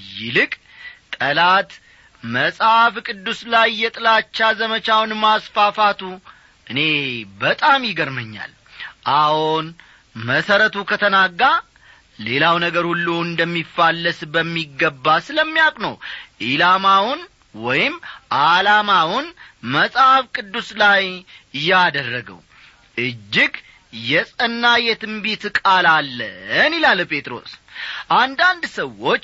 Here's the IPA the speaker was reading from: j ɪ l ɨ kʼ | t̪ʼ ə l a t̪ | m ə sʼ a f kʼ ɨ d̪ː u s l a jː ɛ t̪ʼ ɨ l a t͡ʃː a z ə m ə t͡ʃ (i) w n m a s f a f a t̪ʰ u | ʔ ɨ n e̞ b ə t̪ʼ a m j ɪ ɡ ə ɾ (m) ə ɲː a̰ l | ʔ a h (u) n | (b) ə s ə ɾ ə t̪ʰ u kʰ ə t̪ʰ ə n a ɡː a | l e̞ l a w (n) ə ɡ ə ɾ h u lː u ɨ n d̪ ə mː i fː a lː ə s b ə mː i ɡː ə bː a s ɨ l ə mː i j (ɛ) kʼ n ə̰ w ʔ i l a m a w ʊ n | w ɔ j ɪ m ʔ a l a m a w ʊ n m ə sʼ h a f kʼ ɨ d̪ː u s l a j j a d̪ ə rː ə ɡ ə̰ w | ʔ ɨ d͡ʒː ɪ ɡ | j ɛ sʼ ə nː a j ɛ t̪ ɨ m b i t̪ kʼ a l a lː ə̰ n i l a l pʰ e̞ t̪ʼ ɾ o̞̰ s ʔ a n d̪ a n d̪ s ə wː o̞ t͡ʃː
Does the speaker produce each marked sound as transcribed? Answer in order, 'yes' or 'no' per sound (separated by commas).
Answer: no, yes, no, no, yes, no